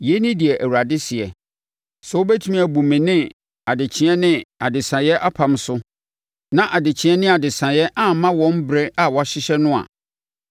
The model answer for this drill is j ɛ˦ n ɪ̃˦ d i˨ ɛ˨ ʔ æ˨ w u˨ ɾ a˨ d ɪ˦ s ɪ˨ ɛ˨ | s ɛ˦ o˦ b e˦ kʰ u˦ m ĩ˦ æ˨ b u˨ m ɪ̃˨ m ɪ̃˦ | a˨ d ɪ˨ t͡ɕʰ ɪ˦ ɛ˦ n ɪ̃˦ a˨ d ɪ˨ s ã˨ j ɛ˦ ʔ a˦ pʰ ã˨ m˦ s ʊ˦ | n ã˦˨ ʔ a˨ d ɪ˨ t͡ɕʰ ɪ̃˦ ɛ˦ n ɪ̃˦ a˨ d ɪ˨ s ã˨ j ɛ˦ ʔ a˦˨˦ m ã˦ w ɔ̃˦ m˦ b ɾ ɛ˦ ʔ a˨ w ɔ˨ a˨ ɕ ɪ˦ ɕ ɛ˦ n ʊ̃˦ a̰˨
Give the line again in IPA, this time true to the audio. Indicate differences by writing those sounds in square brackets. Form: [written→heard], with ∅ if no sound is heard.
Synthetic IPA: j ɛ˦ n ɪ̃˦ d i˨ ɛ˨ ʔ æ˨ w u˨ ɾ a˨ d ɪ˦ s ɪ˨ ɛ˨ | s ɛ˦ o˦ b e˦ [kʰ→tʰ] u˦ m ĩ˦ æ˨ b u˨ m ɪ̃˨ [m→n] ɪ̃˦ | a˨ d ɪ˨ t͡ɕʰ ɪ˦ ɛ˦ n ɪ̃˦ a˨ d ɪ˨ s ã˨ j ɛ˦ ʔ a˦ pʰ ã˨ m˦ s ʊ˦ | n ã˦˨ ʔ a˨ d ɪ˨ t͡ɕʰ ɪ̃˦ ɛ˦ n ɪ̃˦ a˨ d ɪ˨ s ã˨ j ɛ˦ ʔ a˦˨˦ m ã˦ w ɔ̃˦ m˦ b ɾ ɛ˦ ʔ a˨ w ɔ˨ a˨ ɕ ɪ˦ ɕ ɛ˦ n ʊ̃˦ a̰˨